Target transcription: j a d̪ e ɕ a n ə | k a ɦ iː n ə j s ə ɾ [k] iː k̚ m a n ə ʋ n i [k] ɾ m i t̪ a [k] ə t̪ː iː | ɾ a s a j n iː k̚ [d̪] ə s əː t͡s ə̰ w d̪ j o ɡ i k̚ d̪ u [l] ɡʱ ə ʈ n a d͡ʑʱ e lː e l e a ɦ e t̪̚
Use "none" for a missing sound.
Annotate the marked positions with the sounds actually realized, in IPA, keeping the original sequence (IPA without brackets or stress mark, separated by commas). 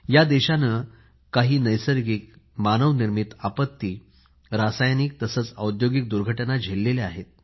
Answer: ɡ, none, p, t̪, ɾ